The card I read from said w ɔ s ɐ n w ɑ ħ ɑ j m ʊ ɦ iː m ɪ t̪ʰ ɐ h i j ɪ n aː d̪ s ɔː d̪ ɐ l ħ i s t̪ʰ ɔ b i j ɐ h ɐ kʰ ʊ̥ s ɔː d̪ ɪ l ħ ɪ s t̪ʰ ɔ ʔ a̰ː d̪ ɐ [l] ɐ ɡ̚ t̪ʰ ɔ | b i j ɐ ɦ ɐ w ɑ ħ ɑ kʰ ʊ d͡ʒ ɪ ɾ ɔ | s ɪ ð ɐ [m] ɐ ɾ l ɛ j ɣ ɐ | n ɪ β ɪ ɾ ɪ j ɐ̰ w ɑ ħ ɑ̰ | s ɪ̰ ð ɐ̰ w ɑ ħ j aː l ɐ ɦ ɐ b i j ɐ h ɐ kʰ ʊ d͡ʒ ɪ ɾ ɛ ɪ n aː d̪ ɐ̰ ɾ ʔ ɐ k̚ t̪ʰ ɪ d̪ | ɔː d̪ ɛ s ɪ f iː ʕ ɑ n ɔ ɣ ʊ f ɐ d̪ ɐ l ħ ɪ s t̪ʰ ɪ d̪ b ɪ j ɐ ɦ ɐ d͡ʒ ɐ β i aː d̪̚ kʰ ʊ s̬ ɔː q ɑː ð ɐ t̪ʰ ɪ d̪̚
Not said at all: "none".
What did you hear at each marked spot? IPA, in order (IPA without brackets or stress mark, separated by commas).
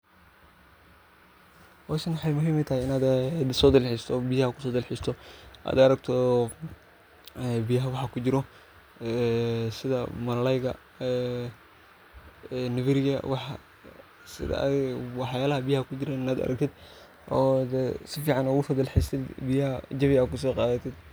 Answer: ɾ, m